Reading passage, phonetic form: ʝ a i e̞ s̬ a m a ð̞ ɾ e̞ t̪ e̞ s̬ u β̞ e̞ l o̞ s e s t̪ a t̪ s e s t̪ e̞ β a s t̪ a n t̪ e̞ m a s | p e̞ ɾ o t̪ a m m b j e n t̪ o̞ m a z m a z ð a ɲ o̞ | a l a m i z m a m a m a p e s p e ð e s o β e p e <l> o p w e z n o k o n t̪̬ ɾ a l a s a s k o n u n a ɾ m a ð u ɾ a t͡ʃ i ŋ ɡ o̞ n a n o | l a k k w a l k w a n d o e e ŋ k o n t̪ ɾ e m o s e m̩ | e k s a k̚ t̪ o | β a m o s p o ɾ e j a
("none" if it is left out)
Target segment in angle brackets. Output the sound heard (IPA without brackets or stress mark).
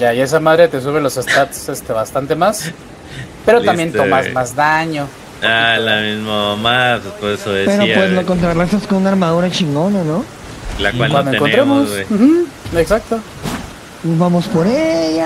ɾ